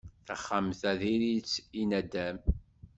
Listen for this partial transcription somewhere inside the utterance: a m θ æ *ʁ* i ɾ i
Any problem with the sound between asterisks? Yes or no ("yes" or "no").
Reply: yes